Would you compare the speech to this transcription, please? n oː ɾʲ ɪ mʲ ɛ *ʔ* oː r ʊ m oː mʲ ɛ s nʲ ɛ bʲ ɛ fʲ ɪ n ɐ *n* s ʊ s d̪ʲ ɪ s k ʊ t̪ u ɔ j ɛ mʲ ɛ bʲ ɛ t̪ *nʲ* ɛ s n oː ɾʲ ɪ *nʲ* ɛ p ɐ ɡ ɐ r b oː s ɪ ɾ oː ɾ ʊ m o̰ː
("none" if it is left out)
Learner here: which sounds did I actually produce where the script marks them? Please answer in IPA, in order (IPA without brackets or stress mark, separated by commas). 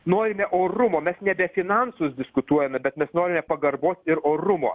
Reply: ʔ, n, mʲ, mʲ